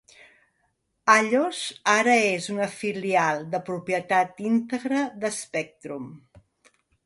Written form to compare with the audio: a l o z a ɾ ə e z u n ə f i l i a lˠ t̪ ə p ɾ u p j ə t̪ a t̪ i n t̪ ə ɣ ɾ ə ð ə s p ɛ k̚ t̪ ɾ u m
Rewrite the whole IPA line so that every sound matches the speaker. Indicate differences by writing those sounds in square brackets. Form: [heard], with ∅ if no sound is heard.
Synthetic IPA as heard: a [ʎ] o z a ɾ ə e z u n ə f i l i a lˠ [d̪] ə p ɾ u p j ə t̪ a t̪ i n t̪ ə ɣ ɾ ə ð ə s p ɛ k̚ t̪ ɾ u m